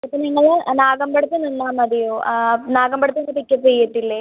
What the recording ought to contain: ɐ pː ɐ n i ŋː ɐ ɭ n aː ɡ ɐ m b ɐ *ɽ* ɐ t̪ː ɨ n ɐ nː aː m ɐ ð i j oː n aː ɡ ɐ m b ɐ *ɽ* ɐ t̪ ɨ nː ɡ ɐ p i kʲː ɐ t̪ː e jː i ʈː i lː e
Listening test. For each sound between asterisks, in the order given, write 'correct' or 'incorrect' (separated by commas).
correct, correct